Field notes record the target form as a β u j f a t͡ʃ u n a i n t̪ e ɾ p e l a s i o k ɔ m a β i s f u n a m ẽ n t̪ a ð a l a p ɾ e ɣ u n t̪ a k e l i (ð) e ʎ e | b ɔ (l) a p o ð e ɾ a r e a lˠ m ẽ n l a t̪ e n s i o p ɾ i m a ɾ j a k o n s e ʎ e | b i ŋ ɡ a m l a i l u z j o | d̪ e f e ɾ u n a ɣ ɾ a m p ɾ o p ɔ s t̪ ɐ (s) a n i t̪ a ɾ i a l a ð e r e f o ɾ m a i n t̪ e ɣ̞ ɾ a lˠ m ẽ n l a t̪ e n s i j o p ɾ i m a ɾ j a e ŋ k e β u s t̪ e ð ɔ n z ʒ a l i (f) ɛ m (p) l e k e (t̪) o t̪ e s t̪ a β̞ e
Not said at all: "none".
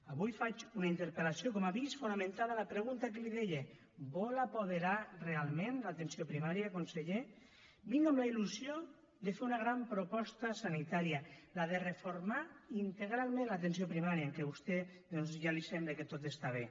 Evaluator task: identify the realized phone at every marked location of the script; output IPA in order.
ð, l, s, s, b, t̪

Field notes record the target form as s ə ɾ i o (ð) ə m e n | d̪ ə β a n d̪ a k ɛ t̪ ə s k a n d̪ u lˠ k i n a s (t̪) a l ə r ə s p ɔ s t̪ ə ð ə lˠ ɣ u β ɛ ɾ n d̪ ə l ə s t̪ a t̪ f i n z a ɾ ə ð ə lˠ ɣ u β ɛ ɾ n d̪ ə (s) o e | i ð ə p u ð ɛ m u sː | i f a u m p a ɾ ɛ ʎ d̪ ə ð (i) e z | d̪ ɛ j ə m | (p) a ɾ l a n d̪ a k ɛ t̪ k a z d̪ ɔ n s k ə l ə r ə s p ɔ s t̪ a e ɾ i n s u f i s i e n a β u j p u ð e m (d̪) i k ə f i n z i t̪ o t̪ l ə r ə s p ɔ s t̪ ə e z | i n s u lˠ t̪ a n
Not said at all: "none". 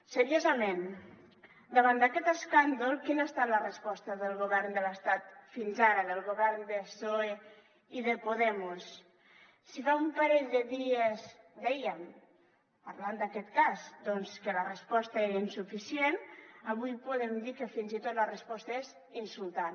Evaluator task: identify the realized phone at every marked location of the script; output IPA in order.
z, t̪, s, i, p, d̪

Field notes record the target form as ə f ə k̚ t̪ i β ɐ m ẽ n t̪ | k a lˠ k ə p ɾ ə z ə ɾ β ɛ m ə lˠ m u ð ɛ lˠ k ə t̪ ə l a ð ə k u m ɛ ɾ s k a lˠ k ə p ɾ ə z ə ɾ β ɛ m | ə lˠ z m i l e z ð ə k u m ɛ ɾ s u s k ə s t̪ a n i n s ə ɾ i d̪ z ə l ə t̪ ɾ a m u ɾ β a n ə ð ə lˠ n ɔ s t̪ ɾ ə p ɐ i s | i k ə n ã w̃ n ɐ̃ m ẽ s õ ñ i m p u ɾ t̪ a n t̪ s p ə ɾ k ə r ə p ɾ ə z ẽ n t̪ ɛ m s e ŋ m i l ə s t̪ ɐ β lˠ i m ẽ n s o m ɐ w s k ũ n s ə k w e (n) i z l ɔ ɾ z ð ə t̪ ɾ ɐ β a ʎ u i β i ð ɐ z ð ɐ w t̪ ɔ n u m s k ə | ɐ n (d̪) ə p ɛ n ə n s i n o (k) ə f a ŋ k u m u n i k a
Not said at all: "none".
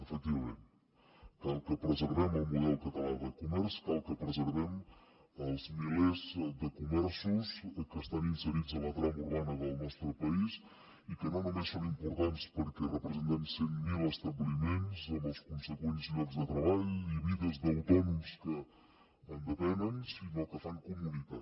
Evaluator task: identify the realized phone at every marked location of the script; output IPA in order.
n, d̪, k

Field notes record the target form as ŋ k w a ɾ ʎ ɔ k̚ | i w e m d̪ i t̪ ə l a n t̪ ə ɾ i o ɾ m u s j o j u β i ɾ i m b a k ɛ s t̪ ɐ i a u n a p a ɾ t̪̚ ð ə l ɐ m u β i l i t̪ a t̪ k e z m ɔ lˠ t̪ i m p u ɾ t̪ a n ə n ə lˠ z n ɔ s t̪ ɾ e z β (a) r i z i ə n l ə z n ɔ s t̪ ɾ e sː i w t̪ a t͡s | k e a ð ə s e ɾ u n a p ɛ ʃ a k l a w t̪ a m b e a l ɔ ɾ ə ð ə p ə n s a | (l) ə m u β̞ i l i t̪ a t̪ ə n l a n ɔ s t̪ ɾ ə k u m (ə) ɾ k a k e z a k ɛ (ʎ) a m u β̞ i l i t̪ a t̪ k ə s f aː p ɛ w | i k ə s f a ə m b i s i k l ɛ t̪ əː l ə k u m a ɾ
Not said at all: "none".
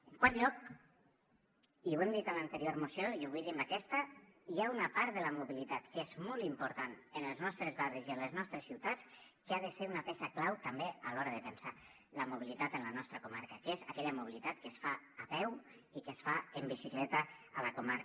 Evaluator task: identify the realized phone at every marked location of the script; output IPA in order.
a, l, a, ʎ

